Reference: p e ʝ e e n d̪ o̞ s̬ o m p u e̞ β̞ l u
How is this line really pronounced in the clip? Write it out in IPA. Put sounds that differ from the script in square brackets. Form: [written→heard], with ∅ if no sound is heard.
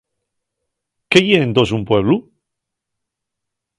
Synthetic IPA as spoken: [p→k] e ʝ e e n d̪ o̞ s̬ [o→u] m p [u→w] e̞ β̞ l u